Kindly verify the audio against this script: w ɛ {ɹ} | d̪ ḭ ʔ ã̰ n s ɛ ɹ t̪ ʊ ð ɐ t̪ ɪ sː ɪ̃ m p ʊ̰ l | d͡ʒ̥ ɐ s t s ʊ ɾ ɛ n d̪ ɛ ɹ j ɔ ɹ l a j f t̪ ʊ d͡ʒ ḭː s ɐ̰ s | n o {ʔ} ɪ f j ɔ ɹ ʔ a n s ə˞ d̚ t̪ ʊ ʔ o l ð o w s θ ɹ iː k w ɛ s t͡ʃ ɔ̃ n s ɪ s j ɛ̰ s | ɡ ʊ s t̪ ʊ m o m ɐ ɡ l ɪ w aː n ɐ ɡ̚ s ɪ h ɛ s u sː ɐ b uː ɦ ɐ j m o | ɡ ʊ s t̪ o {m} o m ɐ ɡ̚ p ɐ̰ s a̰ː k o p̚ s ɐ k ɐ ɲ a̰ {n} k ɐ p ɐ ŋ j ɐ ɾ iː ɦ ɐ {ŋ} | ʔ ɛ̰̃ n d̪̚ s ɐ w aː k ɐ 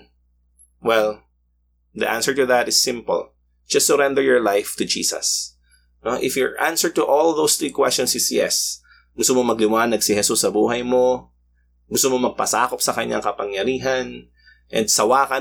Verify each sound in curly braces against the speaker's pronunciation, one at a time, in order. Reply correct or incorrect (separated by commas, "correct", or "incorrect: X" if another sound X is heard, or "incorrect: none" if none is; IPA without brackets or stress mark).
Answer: incorrect: l, correct, correct, incorrect: ŋ, incorrect: n